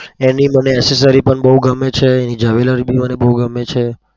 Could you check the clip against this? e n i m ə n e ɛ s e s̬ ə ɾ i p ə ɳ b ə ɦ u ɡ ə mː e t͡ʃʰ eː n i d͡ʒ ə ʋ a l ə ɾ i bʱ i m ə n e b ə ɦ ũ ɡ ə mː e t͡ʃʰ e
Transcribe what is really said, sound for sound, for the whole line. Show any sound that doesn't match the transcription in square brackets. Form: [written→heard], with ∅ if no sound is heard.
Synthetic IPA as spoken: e n i m ə n e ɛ s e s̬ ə ɾ i p ə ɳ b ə ɦ u ɡ ə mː e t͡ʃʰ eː n i d͡ʒ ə ʋ [a→e] l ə ɾ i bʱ i m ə n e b ə ɦ [ũ→u] ɡ ə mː e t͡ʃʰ e